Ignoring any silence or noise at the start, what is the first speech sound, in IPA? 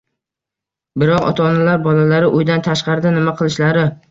b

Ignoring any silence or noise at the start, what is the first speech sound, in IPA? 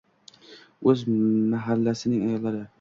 ɵ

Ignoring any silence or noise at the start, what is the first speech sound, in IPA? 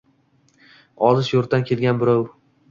ɒ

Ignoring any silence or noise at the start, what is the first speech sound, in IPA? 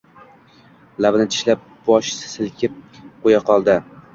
l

